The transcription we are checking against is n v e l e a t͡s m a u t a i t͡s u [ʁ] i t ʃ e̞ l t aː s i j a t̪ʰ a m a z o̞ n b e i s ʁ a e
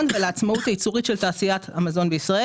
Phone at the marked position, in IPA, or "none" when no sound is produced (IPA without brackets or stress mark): ʁ